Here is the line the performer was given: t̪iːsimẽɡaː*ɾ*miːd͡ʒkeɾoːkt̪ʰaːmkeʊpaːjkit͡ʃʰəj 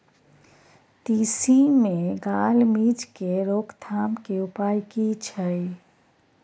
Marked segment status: incorrect: l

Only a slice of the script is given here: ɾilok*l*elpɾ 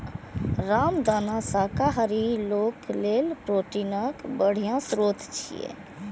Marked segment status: correct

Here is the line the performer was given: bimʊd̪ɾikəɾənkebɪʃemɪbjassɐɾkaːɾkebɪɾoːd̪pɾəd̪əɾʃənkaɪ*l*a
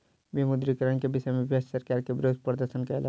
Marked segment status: correct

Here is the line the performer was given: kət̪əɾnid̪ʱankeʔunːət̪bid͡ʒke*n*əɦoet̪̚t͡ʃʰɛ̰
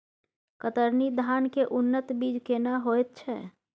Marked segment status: correct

